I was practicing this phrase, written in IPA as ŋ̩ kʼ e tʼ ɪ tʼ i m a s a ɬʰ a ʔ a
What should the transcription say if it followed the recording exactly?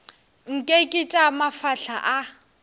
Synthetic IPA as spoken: ŋ̩ kʼ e kʼ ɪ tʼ a m a f a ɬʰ a ʔ a